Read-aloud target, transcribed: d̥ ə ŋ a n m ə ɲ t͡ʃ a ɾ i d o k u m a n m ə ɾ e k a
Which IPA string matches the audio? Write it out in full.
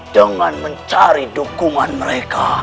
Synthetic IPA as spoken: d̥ ə ŋ a n m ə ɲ t͡ʃ a ɾ i d u k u ŋ a n m ə ɾ e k a